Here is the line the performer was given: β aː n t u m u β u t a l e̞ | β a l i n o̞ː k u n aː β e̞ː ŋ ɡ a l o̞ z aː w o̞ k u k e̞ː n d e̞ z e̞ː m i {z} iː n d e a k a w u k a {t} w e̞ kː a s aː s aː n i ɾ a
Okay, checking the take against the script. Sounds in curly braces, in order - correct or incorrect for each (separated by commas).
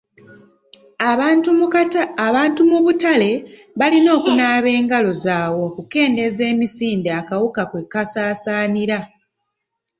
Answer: incorrect, incorrect